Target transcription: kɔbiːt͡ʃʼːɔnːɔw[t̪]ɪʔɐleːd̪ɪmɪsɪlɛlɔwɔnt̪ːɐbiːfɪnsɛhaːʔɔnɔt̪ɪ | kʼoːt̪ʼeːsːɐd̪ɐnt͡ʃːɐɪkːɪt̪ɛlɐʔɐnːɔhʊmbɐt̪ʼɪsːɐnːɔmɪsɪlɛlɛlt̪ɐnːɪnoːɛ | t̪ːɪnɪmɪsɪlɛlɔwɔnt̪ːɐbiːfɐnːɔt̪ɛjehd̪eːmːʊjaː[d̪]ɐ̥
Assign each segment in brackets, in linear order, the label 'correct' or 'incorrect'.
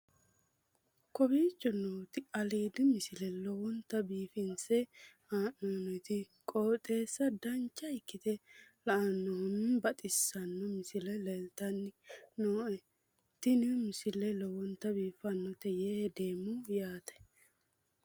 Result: correct, incorrect: t̪

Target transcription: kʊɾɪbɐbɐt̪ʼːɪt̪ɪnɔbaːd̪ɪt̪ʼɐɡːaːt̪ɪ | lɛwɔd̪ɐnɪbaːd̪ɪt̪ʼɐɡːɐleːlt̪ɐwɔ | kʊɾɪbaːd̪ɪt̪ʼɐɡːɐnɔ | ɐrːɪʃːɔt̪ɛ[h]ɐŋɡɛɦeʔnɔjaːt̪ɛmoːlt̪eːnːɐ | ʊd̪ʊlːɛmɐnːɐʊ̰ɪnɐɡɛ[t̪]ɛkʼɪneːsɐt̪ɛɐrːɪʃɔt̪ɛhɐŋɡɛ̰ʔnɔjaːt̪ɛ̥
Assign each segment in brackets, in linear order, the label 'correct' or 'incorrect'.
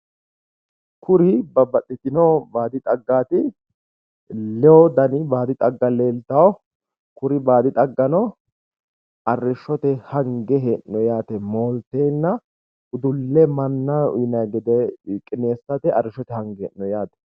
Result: correct, incorrect: d̪

